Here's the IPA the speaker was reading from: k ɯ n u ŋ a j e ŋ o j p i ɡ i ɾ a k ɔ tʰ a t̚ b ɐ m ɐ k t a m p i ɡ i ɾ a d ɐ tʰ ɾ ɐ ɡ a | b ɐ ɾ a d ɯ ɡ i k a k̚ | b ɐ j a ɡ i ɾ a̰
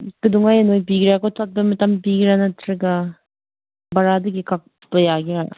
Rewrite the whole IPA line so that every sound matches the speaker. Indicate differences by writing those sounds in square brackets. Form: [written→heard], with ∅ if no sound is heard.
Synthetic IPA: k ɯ [n→d] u ŋ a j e [ŋ→n] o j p i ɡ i ɾ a k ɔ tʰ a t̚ b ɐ m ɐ [k→∅] t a m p i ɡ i ɾ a [d→n] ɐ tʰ ɾ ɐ ɡ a | b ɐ ɾ a d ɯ ɡ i k a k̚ | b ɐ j a ɡ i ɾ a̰